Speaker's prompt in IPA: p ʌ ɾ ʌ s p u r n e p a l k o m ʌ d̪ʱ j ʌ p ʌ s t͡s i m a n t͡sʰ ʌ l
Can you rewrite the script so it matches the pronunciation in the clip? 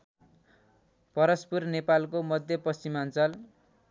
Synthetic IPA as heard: p ʌ ɾ ʌ s p u r n e p a l k o m ʌ d̪ʱ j ʌ p ʌ s t͡s i m a n t͡s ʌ l